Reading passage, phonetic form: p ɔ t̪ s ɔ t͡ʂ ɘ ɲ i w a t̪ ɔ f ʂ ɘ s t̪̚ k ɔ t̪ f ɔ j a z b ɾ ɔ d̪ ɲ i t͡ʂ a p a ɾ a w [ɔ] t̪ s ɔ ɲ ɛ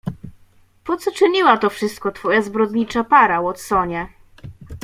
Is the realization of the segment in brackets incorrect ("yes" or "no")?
no